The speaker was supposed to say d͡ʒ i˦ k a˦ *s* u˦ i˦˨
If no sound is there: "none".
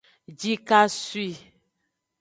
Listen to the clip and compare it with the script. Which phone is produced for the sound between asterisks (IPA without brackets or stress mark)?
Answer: s